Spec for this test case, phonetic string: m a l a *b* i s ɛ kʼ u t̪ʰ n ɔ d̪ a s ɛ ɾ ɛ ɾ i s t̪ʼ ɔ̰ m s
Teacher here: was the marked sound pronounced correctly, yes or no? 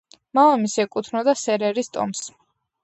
no